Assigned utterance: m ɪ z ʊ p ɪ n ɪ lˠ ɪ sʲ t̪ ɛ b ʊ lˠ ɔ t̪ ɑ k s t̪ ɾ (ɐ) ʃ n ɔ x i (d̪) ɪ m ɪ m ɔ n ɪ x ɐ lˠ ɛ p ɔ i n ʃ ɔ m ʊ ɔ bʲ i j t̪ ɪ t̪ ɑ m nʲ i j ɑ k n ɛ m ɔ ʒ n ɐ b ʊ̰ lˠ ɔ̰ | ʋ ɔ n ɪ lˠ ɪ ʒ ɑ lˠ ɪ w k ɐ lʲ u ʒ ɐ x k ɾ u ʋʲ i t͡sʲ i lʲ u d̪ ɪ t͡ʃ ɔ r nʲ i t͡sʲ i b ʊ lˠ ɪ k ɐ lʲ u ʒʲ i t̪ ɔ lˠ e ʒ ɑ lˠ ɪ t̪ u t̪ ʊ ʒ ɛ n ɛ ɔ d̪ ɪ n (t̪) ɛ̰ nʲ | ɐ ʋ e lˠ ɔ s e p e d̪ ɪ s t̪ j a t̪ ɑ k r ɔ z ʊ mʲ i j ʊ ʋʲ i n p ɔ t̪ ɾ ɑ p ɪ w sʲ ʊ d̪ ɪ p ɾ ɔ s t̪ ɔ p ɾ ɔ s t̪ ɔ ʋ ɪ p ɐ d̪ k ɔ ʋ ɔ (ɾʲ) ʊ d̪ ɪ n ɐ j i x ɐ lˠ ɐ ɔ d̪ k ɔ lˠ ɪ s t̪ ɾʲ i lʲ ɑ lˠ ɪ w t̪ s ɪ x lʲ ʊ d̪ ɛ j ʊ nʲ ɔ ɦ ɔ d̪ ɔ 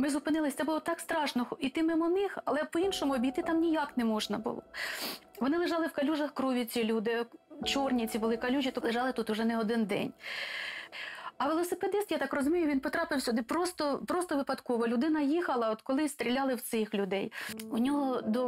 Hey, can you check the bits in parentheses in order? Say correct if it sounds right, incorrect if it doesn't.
incorrect: ɑ, incorrect: t̪, incorrect: d̪, incorrect: lʲ

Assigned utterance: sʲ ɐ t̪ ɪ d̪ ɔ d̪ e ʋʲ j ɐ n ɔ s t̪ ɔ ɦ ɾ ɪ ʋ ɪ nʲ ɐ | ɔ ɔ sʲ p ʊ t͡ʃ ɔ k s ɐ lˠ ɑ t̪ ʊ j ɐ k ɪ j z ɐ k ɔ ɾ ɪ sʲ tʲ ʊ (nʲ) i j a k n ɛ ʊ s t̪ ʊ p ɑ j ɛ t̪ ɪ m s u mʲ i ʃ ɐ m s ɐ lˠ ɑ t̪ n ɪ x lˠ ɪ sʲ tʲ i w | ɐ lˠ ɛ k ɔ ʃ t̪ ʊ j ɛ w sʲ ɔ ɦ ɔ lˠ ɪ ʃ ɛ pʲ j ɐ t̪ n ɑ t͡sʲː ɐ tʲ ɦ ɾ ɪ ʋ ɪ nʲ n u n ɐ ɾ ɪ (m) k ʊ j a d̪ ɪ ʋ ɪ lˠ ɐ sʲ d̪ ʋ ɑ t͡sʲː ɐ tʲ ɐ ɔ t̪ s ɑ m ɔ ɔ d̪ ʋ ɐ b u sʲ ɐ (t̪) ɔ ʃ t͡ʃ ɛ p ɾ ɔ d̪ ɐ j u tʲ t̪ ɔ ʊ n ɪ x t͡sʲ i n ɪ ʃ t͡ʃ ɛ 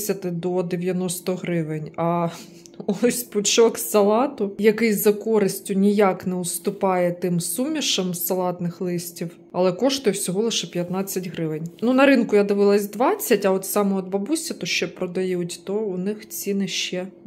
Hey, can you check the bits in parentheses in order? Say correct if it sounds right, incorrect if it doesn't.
correct, incorrect: n, correct

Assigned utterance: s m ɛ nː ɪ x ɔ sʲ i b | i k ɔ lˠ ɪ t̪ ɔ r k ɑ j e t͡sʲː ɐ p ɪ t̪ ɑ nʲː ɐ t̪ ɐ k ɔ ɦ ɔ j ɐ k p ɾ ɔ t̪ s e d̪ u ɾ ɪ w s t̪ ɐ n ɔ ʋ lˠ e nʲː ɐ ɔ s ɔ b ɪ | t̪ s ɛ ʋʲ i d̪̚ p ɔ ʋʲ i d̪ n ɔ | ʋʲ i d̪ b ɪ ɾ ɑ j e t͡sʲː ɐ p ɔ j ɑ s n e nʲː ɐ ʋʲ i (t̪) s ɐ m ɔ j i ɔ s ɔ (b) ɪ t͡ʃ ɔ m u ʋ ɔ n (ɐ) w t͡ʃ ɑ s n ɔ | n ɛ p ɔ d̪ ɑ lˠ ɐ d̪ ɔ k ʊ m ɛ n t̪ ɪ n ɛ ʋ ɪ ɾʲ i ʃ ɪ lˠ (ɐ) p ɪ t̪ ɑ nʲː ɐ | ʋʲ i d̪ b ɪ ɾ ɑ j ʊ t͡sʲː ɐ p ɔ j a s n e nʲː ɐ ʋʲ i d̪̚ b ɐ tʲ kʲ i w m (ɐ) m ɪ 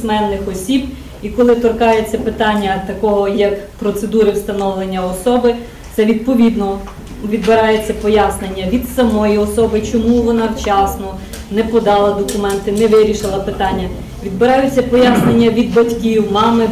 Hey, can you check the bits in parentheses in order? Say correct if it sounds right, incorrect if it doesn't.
incorrect: d̪, correct, incorrect: ɑ, correct, incorrect: ɑ

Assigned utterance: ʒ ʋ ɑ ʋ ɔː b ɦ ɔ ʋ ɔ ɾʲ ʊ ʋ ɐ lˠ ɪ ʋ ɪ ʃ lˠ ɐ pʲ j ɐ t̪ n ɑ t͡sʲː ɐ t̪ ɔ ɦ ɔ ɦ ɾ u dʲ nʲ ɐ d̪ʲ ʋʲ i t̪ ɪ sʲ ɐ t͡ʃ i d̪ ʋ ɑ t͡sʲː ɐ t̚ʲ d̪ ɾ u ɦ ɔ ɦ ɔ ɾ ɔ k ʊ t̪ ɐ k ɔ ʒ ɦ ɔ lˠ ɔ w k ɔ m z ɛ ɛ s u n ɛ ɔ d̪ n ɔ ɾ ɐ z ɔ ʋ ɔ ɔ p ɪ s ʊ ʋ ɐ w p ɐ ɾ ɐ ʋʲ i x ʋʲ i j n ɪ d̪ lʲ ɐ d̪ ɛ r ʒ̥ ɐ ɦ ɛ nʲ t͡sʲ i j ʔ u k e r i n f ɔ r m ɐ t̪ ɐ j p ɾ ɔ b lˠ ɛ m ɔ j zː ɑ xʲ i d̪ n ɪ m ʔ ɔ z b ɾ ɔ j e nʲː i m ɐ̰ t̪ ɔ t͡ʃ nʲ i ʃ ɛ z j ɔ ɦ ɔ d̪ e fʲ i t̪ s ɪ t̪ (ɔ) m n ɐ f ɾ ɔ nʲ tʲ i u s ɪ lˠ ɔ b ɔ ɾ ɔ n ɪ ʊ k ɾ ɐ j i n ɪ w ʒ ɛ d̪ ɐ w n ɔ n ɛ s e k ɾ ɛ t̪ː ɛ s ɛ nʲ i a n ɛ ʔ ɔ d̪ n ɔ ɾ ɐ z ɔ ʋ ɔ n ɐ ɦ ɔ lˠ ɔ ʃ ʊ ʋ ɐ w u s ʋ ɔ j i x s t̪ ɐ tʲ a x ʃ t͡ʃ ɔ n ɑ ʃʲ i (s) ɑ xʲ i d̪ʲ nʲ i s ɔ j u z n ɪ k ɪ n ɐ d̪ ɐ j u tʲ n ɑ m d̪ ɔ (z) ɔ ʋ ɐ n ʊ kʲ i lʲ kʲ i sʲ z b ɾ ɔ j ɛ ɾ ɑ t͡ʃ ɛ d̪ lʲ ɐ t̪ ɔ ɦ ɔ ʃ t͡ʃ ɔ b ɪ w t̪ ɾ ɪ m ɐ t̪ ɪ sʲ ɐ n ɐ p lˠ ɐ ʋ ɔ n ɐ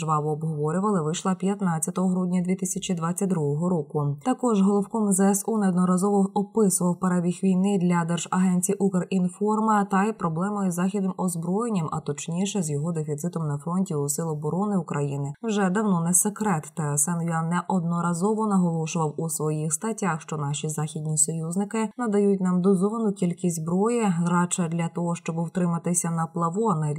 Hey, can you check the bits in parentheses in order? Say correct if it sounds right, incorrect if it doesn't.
correct, incorrect: z, correct

